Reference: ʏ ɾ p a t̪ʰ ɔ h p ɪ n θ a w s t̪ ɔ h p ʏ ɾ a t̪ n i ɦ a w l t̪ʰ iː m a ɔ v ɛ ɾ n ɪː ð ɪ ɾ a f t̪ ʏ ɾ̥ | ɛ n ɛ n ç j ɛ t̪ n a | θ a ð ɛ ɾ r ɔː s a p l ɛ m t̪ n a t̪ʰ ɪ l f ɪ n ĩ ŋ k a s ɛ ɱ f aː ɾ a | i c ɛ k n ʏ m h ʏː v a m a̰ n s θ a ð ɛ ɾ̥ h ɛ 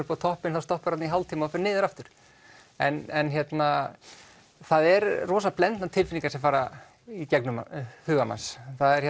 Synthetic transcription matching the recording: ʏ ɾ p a t̪ʰ ɔ h p ɪ n θ a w s t̪ ɔ h p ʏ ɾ a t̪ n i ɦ a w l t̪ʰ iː m a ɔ f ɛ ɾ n ɪː ð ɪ ɾ a f t̪ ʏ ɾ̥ | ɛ n ɛ n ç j ɛ t̪ n a | θ a ð ɛ ɾ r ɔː s a p l ɛ n t̪ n a t̪ʰ ɪ l f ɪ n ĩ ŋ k a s ɛ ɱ f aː ɾ a | i c ɛ k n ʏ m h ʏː ɣ a m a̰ n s θ a ð ɛ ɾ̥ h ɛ